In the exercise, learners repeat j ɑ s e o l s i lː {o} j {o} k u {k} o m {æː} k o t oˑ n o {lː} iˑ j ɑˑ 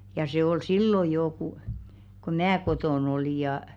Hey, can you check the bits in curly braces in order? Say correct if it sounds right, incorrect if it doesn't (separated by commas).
correct, incorrect, correct, correct, incorrect